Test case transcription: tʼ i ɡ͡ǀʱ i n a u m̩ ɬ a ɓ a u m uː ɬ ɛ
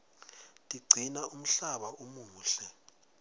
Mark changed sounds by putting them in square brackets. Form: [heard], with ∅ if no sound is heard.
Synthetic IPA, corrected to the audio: tʼ i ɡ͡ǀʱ i n a u m̩ ɬ a ɓ a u m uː ɬ ɛ

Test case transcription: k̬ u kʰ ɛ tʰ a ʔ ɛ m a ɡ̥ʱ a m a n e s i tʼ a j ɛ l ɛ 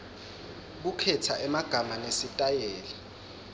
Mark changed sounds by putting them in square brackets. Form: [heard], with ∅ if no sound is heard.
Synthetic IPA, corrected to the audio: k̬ u kʰ ɛ tʰ a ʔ ɛ m a ɡ̥ʱ a m a n e s i tʼ a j [ɛː] l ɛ

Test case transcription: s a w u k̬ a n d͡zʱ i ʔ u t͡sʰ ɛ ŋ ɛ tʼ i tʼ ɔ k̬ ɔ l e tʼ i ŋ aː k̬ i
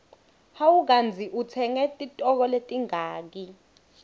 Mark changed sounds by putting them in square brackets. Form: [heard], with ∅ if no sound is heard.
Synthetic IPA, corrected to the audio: [h] a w u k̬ a n d͡zʱ i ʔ u t͡sʰ ɛ ŋ ɛ tʼ i tʼ ɔ k̬ ɔ l e tʼ i ŋ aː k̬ i

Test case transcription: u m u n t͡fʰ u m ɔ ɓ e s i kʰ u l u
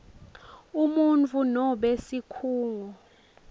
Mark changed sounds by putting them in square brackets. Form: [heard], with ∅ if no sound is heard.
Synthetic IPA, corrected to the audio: u m u n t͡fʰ u [n] ɔ ɓ e s i kʰ [uː] l u

